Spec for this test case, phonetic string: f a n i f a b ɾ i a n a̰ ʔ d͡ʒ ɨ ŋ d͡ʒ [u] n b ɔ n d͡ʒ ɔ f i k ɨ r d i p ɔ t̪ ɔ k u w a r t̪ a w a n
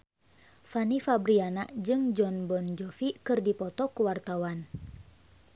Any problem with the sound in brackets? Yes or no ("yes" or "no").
yes